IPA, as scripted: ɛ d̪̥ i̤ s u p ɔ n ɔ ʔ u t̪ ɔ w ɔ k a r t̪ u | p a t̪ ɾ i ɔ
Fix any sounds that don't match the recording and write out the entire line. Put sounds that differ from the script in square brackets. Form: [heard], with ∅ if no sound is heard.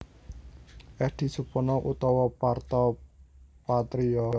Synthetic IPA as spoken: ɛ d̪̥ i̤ s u p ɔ n ɔ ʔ u t̪ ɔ w ɔ [p] a r t̪ [ɔ] | p a t̪ ɾ i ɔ